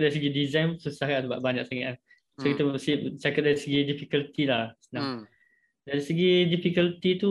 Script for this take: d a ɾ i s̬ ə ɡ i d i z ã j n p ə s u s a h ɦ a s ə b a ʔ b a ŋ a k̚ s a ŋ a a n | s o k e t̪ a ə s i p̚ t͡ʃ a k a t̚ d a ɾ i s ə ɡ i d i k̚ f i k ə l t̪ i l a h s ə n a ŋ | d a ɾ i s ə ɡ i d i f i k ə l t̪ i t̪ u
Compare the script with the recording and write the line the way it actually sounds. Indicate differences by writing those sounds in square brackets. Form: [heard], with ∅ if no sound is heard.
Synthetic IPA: d a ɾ i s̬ ə ɡ i d i z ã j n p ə s u s a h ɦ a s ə b a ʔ b a [ɲ] a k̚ s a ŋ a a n | s o k [i] t̪ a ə s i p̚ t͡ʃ a k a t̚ d a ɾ i s ə ɡ i d i [∅] f i k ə l t̪ i l a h s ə n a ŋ | d a ɾ i s ə ɡ i d i f i k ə l t̪ i t̪ u